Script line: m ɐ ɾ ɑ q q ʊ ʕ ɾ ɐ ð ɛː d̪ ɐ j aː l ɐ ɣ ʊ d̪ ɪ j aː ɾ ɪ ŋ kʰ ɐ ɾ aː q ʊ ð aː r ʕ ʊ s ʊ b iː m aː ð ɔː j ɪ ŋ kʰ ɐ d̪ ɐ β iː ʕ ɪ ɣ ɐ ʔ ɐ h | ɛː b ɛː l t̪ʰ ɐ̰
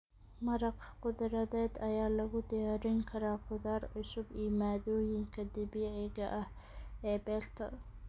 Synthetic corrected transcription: m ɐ ɾ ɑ q q ʊ ð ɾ ɐ ð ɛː d̪ ɐ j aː l ɐ ɣ ʊ d̪ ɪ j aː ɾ ɪ ŋ kʰ ɐ ɾ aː q ʊ ð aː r ʕ ʊ s ʊ b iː m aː ð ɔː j ɪ ŋ kʰ ɐ d̪ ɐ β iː ʕ ɪ ɣ ɐ ʔ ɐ h | ɛː b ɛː l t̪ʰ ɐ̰